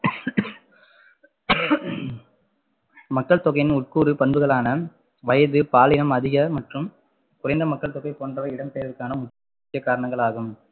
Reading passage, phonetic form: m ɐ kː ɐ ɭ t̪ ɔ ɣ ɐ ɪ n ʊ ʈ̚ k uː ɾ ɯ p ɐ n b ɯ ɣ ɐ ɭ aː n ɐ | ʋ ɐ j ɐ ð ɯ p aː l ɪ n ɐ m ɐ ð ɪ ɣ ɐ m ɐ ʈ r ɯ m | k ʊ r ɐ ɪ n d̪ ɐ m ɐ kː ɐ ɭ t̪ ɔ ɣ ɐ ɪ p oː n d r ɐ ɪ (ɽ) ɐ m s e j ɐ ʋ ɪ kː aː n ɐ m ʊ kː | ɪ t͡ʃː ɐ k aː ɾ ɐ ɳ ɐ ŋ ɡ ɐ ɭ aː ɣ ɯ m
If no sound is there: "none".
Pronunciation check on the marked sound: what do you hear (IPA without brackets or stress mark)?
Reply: ɽ